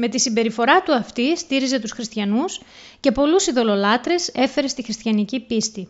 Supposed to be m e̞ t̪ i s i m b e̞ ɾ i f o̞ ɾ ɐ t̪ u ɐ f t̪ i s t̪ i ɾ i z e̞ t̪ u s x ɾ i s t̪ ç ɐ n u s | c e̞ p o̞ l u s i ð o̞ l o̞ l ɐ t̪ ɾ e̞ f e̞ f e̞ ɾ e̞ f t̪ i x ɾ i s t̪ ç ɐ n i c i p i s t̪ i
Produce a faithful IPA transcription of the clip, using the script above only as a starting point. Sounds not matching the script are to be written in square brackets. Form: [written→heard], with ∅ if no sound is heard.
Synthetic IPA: m e̞ t̪ i s i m b e̞ ɾ i f o̞ ɾ ɐ t̪ u ɐ f t̪ i s t̪ i ɾ i z e̞ t̪ u s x ɾ i s t̪ ç ɐ n u s | c e̞ p o̞ l u s i ð o̞ l o̞ l ɐ t̪ ɾ e̞ [f→s] e̞ f e̞ ɾ e̞ [f→s] t̪ i x ɾ i s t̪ ç ɐ n i c i p i s t̪ i